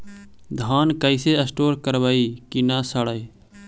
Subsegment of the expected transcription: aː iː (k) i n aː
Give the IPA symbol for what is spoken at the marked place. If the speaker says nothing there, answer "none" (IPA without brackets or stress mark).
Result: k